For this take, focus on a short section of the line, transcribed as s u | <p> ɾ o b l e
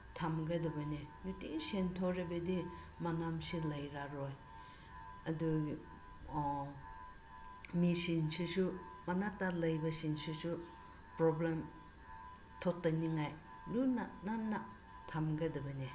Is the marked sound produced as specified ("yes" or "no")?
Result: yes